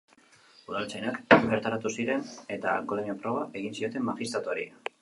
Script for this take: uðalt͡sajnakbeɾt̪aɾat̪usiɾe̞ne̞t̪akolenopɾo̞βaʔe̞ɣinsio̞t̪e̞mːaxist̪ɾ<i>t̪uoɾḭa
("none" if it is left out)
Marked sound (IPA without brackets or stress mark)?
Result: a